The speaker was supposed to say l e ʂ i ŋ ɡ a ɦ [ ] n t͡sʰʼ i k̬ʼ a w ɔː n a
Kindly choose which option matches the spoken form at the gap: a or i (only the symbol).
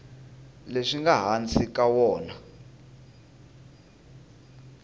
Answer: a